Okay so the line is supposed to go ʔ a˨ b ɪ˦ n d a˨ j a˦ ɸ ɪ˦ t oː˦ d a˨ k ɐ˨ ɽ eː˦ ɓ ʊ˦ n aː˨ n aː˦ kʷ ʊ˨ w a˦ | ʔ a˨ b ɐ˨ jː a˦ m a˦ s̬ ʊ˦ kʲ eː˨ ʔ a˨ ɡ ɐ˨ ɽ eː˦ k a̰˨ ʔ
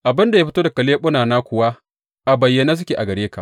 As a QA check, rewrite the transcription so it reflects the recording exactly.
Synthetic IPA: ʔ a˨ b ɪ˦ n d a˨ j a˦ ɸ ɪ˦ t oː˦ d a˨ k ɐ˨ l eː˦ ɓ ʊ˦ n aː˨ n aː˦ kʷ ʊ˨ w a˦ | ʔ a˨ b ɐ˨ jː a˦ n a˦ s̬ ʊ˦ kʲ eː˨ ʔ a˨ ɡ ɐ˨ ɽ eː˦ k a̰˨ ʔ